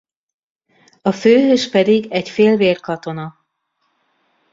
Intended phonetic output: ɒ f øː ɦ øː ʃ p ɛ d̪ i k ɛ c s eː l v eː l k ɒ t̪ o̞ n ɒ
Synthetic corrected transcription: ɒ f øː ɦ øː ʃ p ɛ d̪ i ɡ ɛ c f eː l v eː r k ɒ t̪ o̞ n ɒ